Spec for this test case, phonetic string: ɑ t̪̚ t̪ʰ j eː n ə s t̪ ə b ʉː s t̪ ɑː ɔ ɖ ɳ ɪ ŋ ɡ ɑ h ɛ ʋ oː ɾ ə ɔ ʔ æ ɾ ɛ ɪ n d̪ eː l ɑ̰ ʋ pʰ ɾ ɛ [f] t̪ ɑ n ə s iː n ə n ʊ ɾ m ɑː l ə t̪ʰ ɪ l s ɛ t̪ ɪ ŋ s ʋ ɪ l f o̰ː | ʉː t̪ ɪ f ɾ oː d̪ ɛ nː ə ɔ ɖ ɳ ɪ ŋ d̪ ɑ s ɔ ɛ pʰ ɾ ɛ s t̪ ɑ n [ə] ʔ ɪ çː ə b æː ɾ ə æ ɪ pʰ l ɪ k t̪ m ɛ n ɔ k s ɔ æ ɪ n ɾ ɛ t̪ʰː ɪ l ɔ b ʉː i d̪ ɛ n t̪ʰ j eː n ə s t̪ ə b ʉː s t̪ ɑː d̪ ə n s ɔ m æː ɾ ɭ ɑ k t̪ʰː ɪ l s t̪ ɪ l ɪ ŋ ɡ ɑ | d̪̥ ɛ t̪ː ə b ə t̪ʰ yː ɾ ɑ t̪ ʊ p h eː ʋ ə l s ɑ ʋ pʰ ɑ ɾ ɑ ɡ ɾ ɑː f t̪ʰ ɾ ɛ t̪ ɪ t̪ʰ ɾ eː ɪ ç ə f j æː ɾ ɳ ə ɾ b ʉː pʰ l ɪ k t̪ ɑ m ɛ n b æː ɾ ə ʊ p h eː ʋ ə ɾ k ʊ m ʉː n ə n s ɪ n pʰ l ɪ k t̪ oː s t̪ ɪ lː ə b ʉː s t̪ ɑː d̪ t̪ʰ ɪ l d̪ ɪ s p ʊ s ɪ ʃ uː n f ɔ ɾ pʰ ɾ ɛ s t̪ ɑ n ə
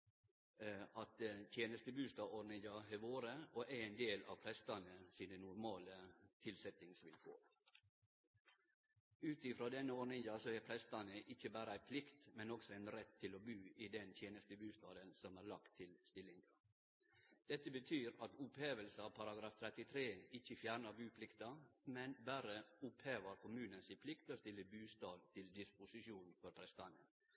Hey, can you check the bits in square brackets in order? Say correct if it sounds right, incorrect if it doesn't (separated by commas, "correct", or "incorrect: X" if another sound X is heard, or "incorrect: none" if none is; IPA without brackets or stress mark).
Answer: incorrect: s, correct